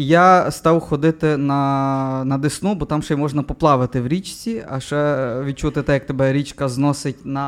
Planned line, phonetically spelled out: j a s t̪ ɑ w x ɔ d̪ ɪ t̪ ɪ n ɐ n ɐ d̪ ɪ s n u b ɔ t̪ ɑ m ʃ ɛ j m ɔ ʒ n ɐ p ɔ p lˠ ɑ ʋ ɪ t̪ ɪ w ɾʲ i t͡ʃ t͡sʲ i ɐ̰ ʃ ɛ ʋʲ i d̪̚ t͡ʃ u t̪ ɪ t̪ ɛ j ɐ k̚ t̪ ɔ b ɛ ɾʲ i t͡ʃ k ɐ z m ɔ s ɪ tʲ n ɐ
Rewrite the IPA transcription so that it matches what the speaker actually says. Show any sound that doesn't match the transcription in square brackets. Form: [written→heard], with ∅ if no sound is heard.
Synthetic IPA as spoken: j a s t̪ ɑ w x ɔ d̪ ɪ t̪ ɪ n ɐ n ɐ d̪ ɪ s n u b ɔ t̪ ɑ m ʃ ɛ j m ɔ ʒ n ɐ p ɔ p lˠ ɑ ʋ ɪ t̪ ɪ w ɾʲ i t͡ʃ t͡sʲ i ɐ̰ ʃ ɛ ʋʲ i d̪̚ t͡ʃ u t̪ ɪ t̪ ɛ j ɐ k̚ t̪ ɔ b ɛ ɾʲ i t͡ʃ k ɐ z [m→n] ɔ s ɪ tʲ n ɐ